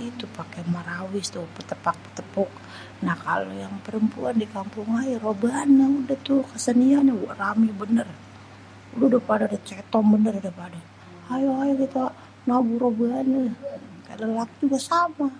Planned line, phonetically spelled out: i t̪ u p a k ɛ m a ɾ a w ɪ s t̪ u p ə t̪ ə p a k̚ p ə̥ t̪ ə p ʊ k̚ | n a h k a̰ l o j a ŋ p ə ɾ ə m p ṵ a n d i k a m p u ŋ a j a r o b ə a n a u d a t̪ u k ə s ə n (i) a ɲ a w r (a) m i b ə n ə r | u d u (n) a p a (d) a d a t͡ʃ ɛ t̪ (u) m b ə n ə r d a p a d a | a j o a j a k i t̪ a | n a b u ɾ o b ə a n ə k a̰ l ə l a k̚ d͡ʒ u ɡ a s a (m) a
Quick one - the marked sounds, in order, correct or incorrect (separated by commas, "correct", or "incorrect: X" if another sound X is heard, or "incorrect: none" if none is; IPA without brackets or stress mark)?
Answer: correct, correct, incorrect: d, correct, incorrect: ɔ, correct